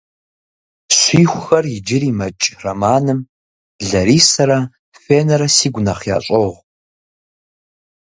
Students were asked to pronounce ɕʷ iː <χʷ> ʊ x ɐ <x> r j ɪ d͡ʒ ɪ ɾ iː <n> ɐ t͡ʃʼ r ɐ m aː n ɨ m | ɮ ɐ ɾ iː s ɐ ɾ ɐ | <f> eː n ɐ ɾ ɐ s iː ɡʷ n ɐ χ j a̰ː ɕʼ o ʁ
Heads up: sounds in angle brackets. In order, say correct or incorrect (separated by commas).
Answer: incorrect, incorrect, incorrect, correct